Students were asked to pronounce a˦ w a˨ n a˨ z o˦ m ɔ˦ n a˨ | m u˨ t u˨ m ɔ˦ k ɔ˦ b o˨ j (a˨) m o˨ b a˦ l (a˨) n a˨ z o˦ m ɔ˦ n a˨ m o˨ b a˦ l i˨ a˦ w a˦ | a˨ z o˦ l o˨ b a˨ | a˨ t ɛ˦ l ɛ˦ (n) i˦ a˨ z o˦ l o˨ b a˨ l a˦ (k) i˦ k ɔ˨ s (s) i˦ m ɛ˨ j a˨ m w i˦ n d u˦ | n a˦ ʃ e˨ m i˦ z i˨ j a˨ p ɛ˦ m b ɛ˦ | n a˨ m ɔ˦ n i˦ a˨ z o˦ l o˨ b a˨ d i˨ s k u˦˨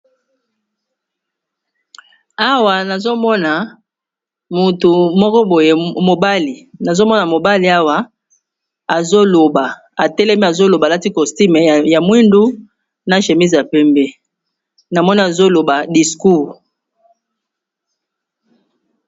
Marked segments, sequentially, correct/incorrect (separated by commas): incorrect, incorrect, incorrect, incorrect, incorrect